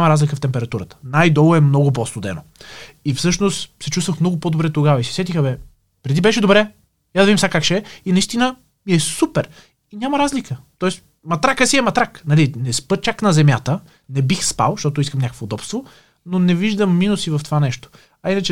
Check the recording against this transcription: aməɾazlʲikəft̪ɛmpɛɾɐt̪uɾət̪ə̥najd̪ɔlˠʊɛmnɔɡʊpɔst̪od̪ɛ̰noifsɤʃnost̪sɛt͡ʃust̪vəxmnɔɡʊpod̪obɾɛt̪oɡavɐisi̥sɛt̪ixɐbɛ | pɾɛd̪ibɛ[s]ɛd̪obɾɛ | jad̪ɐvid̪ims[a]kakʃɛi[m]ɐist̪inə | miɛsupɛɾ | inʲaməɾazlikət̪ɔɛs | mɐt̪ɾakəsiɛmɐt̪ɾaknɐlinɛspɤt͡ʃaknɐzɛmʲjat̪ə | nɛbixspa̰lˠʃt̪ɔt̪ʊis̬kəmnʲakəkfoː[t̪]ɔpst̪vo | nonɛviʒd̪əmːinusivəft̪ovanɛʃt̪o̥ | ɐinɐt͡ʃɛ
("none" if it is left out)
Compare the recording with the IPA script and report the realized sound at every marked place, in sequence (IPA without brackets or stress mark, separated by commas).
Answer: ʃ, a, n, d̪